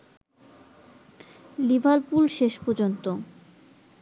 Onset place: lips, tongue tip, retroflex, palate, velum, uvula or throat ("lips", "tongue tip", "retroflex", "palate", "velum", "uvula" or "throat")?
tongue tip